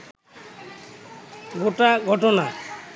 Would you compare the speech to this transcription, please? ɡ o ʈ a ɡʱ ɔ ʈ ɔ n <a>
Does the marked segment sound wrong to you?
no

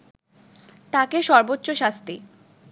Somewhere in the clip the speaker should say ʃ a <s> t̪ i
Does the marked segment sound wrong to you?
no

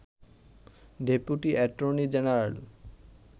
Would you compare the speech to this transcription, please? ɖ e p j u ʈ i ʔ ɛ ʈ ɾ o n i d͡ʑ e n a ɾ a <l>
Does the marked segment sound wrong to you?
no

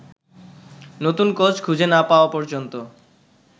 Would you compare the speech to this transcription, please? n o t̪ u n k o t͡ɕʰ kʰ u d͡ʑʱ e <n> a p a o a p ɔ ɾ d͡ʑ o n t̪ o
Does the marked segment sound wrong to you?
no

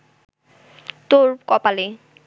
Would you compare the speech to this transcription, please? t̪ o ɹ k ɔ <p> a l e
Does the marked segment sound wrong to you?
no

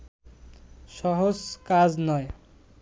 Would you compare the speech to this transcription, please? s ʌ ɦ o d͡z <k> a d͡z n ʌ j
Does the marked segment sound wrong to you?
no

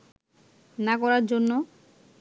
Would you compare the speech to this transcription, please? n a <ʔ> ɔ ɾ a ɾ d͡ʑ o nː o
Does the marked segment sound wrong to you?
yes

